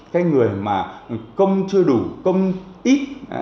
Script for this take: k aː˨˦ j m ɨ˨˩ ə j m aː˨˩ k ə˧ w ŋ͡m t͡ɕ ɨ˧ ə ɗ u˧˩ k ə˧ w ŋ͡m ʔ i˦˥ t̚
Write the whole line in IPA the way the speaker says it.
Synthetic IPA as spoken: k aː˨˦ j ŋ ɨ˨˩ ə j m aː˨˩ k ə˧ w ŋ͡m t͡ɕ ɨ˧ ə ɗ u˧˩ k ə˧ w ŋ͡m ʔ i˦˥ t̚